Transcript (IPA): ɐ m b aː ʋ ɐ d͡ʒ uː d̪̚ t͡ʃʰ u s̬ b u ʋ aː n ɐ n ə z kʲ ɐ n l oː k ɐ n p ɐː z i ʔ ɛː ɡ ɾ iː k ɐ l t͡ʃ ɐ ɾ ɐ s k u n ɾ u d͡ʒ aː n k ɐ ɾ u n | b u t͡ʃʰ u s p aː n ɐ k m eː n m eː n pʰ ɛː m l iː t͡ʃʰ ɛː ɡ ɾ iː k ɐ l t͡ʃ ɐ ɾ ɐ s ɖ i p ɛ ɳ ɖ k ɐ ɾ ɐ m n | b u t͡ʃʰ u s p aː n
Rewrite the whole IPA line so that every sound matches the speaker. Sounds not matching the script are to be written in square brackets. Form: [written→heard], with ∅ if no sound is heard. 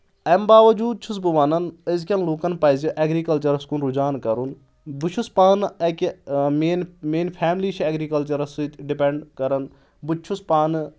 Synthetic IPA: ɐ m b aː ʋ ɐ d͡ʒ uː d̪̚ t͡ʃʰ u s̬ b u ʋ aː n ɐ n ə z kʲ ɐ n l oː k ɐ n p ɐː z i ʔ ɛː ɡ ɾ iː k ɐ l t͡ʃ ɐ ɾ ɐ s k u n ɾ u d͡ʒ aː n k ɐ ɾ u n | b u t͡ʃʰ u s p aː n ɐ k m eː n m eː n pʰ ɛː m l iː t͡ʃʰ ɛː ɡ ɾ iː k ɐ l t͡ʃ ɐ ɾ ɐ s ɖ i p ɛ ɳ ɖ k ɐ ɾ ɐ [m→∅] n | b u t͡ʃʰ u s p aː n

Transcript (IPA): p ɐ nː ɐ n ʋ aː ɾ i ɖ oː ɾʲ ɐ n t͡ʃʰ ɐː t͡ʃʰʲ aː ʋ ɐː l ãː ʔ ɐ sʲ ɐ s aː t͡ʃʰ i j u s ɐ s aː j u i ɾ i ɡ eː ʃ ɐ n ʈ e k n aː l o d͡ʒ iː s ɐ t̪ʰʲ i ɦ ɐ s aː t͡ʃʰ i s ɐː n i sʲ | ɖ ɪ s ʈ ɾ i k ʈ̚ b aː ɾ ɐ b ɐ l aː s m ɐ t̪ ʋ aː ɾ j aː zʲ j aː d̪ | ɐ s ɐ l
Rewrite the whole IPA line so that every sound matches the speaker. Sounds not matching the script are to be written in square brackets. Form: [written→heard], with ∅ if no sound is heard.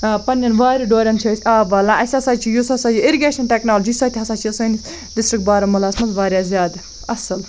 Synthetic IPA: p ɐ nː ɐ n ʋ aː ɾ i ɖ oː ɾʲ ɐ n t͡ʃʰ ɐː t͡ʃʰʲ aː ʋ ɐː l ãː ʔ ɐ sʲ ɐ s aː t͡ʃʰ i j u s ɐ s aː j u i ɾ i ɡ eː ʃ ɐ n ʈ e k n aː l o d͡ʒ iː s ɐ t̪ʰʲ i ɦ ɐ s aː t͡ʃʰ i s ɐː n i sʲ | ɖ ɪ s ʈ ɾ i k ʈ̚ b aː ɾ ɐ [b→m] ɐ l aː s m ɐ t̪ ʋ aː ɾ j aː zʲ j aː d̪ | ɐ s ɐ l

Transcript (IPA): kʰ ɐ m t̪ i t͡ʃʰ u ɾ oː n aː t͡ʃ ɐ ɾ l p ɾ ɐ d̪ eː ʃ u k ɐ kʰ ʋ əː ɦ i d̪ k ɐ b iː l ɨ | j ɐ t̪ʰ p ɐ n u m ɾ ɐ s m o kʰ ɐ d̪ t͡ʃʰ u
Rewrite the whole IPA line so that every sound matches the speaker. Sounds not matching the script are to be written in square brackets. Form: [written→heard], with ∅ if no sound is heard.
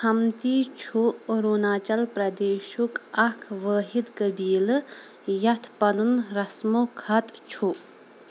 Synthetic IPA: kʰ ɐ m t̪ i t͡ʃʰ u ɾ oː n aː t͡ʃ ɐ [ɾ→∅] l p ɾ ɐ d̪ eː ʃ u k ɐ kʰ ʋ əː ɦ i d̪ k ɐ b iː l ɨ | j ɐ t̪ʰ p ɐ n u [m→n] ɾ ɐ s m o kʰ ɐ [d̪→t̪] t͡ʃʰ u

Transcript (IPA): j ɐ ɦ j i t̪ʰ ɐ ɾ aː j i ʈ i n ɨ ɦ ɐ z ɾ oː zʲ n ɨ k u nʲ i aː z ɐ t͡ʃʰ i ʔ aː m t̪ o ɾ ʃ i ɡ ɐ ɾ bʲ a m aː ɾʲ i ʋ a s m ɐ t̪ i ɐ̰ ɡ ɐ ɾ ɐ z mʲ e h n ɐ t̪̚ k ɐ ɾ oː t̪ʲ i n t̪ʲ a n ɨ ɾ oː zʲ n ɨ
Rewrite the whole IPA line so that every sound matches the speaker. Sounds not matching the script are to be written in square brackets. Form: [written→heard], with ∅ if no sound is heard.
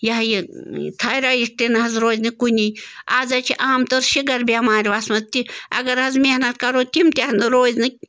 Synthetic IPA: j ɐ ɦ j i t̪ʰ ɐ ɾ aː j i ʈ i n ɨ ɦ ɐ z ɾ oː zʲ n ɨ k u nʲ i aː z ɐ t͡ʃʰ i ʔ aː m t̪ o ɾ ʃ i ɡ ɐ ɾ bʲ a m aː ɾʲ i ʋ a s m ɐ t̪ i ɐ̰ ɡ ɐ ɾ ɐ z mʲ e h n ɐ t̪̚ k ɐ ɾ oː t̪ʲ i [n→m] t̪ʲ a n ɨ ɾ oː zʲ n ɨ

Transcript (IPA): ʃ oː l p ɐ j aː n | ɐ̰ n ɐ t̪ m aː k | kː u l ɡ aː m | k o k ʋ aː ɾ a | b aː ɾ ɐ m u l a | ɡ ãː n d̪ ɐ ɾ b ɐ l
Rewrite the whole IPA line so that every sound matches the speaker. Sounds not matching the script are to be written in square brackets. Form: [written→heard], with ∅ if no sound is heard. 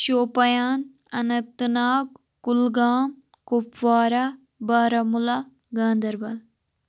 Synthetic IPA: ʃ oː [l→∅] p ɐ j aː n | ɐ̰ n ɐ t̪ [m→n] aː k | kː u l ɡ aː m | k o [k→p] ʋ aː ɾ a | b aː ɾ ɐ m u l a | ɡ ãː n d̪ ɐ ɾ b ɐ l

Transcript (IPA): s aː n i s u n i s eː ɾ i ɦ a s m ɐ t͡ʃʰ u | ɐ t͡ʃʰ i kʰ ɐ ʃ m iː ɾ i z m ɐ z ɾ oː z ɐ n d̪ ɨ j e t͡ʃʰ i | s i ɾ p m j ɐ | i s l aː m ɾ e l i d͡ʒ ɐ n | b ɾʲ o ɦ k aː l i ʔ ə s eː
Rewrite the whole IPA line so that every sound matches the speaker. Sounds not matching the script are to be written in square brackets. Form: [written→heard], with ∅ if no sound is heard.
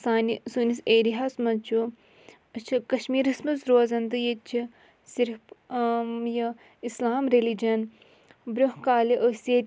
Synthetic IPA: s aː n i s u n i s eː ɾ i ɦ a s m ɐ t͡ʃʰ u | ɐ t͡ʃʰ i [kʰ→k] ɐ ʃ m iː ɾ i [z→s] m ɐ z ɾ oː z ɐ n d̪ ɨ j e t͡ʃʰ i | s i ɾ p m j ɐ | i s l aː m ɾ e l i d͡ʒ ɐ n | b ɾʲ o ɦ k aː l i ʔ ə s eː

